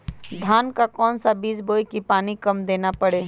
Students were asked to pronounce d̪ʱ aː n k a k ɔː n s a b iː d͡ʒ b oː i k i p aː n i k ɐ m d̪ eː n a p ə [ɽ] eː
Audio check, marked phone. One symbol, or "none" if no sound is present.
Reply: ɽ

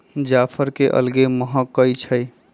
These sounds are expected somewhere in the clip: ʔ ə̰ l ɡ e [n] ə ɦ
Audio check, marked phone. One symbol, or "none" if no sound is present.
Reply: m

